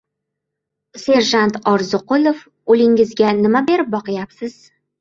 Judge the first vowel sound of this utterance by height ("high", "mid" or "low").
mid